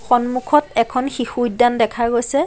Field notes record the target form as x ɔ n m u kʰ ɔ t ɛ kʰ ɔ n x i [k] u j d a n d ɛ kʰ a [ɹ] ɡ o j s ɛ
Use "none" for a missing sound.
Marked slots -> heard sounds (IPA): x, ɹ

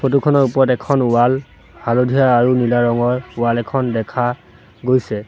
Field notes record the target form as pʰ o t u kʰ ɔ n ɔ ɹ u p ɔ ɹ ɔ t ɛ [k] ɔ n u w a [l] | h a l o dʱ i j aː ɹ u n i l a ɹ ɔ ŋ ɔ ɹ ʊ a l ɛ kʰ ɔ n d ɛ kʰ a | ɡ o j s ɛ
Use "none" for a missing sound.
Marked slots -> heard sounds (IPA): kʰ, l

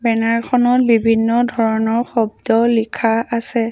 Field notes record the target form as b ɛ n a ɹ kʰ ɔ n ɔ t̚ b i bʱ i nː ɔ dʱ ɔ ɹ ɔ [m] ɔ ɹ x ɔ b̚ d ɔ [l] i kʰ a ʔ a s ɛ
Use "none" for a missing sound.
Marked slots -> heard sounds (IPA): n, l

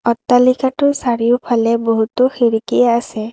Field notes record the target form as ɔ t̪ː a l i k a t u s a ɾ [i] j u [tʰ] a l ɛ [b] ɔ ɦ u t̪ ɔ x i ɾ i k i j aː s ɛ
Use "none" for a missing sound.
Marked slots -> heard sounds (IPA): i, pʰ, b

